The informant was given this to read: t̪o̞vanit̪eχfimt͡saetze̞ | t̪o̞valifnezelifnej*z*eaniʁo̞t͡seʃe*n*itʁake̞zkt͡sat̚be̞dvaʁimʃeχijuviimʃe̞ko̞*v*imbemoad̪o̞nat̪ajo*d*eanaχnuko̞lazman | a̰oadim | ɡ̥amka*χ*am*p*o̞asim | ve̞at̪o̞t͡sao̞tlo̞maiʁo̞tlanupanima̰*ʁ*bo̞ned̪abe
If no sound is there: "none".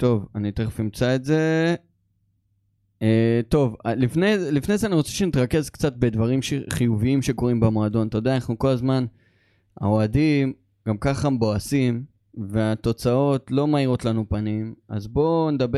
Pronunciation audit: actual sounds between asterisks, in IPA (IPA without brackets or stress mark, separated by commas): z, n, ʁ, d, χ, b, z